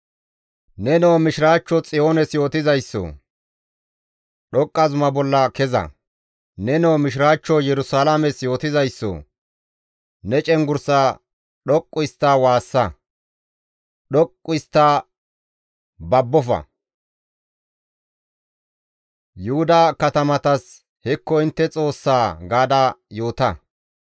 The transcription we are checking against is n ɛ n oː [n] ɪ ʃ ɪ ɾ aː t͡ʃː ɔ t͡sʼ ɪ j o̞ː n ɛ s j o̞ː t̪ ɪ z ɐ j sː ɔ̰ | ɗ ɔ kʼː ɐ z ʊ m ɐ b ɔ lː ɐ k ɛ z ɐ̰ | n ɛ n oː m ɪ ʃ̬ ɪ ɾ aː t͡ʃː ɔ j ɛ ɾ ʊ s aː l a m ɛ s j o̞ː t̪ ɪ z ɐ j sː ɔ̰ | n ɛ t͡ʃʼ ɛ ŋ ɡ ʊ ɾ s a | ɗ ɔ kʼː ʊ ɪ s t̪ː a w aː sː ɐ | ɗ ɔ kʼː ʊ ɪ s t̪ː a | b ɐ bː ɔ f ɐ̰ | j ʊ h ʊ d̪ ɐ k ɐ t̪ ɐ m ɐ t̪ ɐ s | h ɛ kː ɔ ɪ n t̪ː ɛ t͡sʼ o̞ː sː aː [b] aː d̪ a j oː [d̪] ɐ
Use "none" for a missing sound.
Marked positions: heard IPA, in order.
m, ɡ, t̪

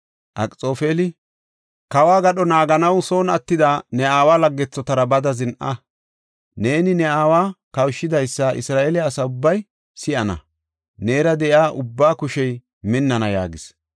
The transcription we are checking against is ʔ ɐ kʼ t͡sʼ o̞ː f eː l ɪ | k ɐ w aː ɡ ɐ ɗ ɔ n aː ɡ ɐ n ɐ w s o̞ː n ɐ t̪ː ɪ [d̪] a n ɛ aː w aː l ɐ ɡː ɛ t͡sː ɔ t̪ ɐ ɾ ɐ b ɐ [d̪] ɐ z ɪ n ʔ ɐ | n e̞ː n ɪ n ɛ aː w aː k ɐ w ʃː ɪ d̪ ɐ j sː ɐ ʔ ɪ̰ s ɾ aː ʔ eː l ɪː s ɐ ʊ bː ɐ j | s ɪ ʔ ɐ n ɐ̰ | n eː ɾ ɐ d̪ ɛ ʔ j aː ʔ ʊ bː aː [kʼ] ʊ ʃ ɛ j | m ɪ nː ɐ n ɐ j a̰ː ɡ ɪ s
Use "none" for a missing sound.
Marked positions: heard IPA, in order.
d̪, d̪, k

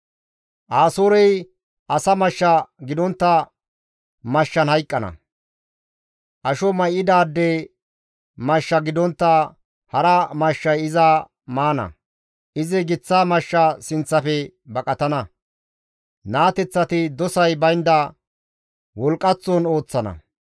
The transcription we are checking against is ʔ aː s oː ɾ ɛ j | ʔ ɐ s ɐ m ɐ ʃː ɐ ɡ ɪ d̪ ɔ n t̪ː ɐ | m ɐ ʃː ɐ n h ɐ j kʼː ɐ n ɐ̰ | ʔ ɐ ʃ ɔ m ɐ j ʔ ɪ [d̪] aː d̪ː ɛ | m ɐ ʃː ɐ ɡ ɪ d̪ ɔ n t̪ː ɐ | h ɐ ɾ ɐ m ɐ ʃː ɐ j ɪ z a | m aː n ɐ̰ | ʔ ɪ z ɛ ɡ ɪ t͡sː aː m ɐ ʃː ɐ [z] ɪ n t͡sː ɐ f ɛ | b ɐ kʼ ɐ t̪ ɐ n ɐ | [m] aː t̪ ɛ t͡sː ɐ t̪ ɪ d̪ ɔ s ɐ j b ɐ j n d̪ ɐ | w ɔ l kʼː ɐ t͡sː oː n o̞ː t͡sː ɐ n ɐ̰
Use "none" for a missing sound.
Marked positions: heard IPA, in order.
d̪, s, n

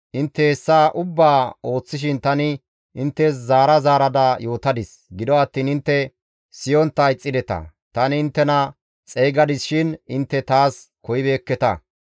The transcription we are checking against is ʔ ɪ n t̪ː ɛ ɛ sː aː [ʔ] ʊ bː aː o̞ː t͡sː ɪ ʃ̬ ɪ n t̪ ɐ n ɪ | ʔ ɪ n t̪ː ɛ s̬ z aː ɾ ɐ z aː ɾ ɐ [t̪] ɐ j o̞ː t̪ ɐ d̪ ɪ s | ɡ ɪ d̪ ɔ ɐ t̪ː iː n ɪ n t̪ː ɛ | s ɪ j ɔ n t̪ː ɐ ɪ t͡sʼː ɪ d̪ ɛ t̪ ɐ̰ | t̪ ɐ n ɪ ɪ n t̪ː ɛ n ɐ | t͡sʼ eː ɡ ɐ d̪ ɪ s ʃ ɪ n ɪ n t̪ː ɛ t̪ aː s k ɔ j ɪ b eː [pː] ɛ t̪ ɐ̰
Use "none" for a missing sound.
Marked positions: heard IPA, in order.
ʔ, d̪, kː

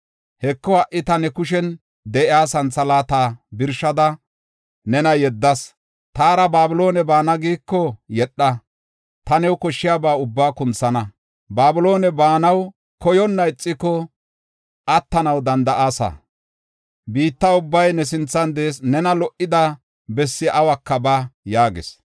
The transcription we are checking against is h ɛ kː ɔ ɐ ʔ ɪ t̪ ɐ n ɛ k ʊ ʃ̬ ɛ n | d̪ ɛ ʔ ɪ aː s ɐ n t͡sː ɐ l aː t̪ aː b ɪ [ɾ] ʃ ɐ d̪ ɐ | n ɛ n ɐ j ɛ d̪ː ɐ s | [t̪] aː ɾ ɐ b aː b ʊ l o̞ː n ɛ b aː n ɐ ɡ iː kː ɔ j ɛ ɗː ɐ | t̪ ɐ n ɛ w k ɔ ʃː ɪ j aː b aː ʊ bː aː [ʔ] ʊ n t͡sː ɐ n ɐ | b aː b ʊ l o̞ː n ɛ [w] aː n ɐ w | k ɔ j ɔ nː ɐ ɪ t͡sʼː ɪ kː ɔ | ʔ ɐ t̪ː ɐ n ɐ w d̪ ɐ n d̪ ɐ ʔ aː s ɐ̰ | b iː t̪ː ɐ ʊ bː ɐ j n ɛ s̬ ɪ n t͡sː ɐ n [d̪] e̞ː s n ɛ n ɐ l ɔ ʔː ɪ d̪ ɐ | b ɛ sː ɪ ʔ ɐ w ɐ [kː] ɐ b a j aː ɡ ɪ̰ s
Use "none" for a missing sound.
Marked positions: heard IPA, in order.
ɾ, t̪, k, b, d̪, kː

